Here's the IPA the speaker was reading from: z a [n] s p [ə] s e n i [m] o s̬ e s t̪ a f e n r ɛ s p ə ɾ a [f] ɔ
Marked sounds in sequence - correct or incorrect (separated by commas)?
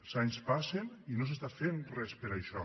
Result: incorrect, incorrect, incorrect, incorrect